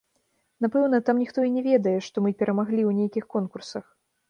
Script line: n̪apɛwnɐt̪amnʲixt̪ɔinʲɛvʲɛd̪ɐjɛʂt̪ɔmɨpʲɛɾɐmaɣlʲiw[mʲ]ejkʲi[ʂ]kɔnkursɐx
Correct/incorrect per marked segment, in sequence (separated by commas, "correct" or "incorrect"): incorrect, incorrect